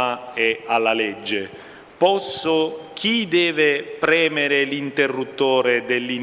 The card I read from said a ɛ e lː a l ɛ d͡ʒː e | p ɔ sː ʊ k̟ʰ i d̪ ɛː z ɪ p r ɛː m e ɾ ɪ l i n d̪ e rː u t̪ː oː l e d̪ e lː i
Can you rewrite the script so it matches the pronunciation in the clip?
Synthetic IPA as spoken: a ɛ a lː a l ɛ d͡ʒː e | p ɔ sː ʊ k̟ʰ i d̪ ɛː v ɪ p ɾ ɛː m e ɾ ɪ l i n t̪ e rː u t̪ː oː ɾ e d̪ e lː i